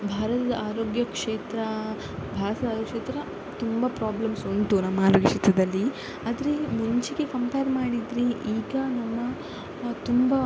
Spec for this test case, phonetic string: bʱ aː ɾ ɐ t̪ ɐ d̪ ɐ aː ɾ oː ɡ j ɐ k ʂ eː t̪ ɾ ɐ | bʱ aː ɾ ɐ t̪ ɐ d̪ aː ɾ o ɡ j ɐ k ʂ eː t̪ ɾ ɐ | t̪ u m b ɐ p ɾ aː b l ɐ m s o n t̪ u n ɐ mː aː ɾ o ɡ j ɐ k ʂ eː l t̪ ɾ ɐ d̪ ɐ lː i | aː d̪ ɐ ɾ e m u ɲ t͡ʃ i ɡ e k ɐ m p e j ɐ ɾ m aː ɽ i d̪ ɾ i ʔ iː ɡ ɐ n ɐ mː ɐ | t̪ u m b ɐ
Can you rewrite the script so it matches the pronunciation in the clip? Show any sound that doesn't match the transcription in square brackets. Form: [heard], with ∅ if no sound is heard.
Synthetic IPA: bʱ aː ɾ ɐ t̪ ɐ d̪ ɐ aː ɾ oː ɡ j ɐ k ʂ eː t̪ ɾ ɐ | bʱ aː ɾ ɐ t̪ ɐ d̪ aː ɾ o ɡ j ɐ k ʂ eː t̪ ɾ ɐ | t̪ u m b ɐ p ɾ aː b l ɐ m s o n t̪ u n ɐ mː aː ɾ o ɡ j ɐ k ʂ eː [∅] t̪ ɾ ɐ d̪ ɐ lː i | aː d̪ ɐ ɾ e m u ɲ t͡ʃ i ɡ e k ɐ m p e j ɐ ɾ m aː ɽ i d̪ ɾ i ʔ iː ɡ ɐ n ɐ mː ɐ | t̪ u m b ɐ